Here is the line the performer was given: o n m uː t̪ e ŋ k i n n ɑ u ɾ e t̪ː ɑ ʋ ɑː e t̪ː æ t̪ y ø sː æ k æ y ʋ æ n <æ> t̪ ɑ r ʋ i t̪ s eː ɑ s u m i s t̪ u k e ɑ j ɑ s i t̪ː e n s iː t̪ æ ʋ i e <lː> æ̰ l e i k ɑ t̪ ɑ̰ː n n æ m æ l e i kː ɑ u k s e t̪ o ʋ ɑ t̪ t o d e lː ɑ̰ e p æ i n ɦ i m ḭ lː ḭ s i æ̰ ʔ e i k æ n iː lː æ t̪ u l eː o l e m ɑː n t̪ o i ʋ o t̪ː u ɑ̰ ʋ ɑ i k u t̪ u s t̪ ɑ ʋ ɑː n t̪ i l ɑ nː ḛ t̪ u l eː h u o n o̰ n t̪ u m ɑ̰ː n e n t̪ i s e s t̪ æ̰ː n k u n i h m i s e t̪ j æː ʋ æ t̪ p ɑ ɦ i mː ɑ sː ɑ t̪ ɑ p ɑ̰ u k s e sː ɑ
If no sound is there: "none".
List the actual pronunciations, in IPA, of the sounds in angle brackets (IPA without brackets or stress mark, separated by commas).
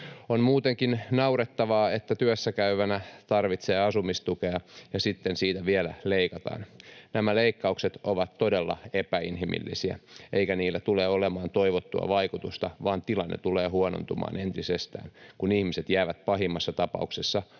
æ, l